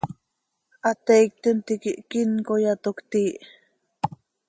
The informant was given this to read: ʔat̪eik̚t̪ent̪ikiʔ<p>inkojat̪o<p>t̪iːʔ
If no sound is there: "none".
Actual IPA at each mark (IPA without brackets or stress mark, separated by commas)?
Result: k, k